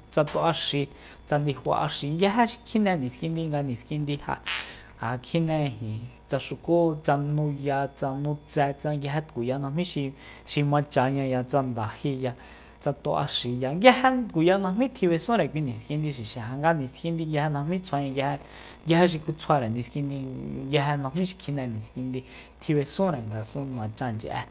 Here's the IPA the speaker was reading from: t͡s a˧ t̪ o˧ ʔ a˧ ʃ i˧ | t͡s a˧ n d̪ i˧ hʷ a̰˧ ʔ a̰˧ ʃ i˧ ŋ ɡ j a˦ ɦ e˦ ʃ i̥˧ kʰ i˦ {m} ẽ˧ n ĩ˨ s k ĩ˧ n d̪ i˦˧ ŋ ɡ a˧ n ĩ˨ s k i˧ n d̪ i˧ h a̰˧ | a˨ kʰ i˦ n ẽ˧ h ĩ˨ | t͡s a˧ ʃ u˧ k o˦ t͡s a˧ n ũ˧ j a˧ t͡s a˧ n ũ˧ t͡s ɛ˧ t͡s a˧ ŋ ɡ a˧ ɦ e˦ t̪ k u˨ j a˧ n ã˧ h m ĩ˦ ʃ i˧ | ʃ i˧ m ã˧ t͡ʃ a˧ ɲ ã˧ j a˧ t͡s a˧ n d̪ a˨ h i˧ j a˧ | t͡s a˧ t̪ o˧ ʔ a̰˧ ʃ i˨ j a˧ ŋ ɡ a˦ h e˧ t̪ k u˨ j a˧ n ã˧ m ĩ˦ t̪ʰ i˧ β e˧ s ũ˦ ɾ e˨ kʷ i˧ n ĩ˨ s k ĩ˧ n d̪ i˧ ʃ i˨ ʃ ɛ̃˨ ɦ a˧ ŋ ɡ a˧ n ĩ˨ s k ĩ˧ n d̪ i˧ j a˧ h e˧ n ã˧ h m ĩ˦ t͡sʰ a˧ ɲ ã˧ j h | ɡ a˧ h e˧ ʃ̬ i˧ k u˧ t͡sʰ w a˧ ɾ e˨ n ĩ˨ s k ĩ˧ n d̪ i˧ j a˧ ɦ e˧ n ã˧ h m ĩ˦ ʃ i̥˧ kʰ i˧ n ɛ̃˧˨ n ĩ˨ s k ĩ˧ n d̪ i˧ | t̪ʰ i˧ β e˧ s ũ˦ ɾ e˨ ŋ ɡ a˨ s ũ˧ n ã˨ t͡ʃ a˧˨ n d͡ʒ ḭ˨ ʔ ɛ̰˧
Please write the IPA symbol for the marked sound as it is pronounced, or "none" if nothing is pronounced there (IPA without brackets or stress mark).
n